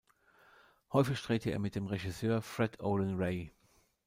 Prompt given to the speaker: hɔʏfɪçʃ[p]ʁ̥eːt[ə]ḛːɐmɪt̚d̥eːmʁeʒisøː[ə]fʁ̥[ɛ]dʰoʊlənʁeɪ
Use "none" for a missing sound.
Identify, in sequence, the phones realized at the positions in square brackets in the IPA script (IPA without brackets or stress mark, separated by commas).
t, ə, ɐ, ɛ